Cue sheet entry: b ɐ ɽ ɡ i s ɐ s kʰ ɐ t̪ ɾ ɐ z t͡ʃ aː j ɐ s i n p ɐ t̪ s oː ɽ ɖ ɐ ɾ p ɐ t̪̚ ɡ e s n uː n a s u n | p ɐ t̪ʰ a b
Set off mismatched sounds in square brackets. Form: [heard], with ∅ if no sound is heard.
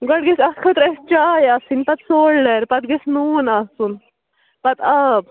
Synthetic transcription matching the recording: [ɡ] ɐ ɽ ɡ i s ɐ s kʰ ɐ t̪ ɾ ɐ [s] t͡ʃ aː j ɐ s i n p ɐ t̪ s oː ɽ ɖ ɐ ɾ p ɐ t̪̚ ɡ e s n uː n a s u n | p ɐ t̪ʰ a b